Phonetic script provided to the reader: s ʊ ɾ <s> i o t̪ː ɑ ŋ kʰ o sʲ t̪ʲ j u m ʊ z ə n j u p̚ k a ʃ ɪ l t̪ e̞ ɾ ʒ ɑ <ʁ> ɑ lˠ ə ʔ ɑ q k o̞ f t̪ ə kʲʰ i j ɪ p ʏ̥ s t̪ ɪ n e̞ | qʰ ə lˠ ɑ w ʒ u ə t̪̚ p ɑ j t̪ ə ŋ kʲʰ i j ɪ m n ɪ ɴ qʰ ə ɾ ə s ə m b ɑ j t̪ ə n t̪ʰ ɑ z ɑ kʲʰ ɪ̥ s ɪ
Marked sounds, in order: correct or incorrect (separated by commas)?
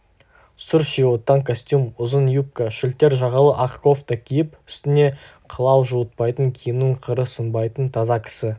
incorrect, correct